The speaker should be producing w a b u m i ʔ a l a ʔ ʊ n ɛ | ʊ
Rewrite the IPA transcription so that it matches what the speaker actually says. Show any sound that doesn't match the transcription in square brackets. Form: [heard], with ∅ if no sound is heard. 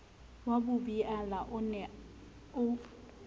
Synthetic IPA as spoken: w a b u [b] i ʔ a l a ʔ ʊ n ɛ | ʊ